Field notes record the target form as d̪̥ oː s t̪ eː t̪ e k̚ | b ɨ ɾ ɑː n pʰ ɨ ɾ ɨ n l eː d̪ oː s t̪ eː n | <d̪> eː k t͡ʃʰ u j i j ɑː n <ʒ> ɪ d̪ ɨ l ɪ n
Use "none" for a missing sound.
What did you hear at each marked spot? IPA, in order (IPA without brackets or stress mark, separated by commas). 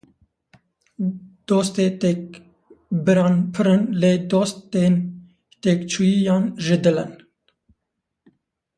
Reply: t̪, ʒ